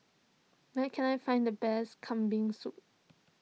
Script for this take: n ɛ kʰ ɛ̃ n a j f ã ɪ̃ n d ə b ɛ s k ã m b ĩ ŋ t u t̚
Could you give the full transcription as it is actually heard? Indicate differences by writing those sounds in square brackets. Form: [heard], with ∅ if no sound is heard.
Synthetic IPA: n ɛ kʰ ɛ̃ n a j f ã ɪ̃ n d ə b ɛ s [kʰ] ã m b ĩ ŋ [s] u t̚